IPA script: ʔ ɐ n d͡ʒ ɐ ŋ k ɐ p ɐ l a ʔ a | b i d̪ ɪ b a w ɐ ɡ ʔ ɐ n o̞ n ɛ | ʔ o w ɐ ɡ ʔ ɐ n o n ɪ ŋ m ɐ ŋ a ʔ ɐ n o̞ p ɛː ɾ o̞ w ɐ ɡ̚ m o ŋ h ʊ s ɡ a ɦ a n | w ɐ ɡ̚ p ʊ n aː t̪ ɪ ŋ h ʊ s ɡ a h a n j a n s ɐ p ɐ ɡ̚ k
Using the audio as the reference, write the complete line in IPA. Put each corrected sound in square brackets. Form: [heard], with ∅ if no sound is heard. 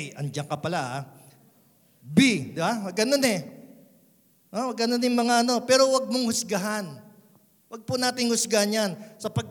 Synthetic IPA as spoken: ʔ ɐ n d͡ʒ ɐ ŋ k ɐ p ɐ l a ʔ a | b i d̪ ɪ b a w ɐ ɡ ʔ ɐ n o̞ n ɛ | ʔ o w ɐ ɡ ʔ ɐ n o n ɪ ŋ m ɐ ŋ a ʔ ɐ n o̞ p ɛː ɾ o̞ w ɐ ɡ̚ m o ŋ h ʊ s ɡ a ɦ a n | w ɐ ɡ̚ p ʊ n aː t̪ ɪ ŋ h ʊ s ɡ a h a n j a n s ɐ p ɐ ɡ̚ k